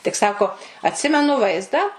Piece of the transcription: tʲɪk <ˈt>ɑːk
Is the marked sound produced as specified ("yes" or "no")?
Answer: no